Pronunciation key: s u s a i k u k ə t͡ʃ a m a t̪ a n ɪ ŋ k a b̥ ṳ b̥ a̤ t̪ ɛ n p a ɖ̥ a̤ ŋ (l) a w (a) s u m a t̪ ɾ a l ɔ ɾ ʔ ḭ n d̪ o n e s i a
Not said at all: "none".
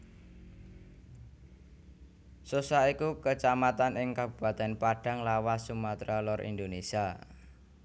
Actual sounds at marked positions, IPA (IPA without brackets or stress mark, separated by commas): l, a